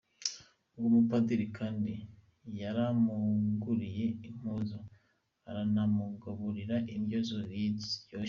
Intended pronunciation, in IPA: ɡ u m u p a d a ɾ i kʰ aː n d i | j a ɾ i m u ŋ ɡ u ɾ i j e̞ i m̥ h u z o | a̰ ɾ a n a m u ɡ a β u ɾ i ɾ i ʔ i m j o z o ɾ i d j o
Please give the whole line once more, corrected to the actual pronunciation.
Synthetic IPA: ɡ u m u p a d i ɾ i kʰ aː n d i | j a ɾ a m u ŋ ɡ u ɾ i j e̞ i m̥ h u z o | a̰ ɾ a n a m u ɡ a β u ɾ i ɾ a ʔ i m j o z o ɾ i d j o